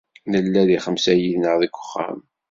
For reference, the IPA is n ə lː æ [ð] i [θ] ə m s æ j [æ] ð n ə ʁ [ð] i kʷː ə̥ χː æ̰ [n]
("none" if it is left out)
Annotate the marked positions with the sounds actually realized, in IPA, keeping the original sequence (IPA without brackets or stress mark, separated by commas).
ð, χ, i, ð, m